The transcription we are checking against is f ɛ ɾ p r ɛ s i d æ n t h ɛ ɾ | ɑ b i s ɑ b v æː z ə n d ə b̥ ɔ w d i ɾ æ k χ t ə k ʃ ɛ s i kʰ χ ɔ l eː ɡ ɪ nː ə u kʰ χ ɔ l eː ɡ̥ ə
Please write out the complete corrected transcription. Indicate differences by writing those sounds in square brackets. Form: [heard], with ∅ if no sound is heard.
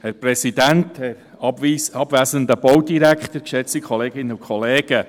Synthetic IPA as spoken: [h] ɛ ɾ p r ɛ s i d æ n t h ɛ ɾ | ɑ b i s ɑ b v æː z ə n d ə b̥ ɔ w d i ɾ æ k χ t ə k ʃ ɛ [t͡s] i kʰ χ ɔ l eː ɡ ɪ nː ə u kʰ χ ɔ l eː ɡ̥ ə